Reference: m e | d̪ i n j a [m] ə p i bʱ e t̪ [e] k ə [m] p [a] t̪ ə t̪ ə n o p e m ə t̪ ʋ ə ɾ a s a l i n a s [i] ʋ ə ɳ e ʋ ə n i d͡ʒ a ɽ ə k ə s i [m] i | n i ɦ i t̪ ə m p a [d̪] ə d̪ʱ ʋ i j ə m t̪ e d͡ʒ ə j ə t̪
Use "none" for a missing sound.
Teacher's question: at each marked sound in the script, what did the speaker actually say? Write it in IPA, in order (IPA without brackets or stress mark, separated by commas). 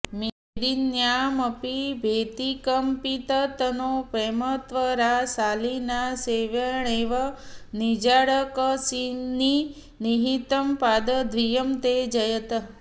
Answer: m, i, m, i, e, n, d̪